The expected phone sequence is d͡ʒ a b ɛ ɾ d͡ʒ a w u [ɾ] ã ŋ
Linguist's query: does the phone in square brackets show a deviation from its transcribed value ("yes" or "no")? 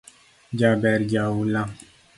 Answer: yes